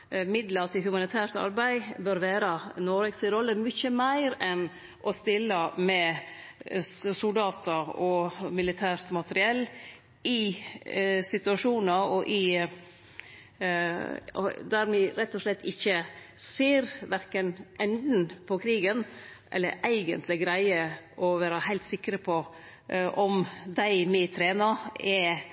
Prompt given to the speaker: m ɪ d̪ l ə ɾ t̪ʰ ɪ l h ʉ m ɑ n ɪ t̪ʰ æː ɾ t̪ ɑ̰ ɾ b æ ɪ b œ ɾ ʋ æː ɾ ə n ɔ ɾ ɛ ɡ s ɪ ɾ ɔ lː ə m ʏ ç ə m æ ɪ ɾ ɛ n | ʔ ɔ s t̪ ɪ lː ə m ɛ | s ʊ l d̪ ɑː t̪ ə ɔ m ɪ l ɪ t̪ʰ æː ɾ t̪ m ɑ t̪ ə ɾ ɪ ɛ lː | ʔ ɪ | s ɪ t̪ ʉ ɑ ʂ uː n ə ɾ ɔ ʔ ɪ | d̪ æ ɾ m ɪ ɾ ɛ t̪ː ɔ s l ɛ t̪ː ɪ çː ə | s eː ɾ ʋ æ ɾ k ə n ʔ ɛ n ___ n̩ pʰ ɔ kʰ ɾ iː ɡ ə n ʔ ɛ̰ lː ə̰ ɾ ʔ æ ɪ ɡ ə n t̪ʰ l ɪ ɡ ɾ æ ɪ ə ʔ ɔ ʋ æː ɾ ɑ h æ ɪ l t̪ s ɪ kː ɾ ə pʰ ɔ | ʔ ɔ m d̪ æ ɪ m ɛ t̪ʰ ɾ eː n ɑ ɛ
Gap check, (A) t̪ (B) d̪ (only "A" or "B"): B